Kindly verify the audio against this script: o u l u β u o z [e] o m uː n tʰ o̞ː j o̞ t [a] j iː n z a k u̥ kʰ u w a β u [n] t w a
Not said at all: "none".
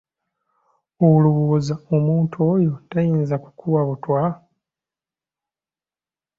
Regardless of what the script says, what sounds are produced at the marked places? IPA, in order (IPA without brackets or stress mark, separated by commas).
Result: a, a, none